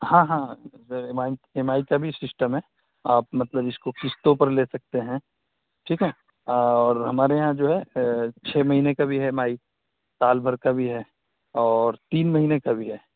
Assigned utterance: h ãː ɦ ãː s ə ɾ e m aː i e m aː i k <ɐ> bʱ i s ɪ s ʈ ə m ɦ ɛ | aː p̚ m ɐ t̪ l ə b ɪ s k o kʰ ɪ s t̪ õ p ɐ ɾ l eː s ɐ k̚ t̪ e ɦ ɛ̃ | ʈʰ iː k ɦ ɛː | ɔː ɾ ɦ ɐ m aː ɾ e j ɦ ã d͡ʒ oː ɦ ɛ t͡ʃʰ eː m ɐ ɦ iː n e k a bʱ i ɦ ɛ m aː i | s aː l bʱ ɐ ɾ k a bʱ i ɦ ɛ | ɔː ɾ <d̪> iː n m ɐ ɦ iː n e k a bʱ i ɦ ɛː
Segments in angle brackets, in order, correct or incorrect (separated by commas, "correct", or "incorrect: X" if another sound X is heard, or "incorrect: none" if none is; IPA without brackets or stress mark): incorrect: a, incorrect: t̪